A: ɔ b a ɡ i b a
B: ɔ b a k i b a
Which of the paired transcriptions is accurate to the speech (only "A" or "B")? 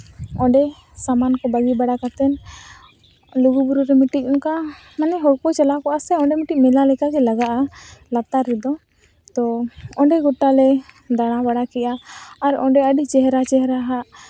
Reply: A